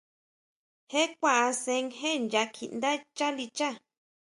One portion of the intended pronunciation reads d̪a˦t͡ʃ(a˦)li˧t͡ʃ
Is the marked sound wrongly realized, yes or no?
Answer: no